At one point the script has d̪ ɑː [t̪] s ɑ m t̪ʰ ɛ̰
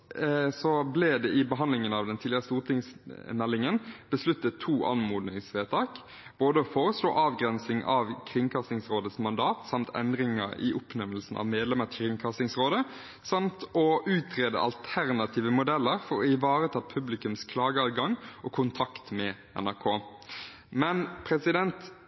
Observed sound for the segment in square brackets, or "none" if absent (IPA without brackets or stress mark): t̪